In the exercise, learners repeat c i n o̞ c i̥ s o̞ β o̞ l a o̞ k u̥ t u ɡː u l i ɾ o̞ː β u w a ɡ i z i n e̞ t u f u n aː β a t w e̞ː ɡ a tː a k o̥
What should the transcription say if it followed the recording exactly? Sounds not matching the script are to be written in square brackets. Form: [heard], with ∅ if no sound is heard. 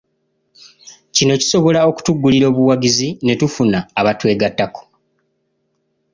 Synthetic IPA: c i n o̞ c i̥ s o̞ β o̞ l a o̞ k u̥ t u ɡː u l i ɾ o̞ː β u w a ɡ i z i n e̞ t u f u n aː β a t w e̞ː ɡ a tː a k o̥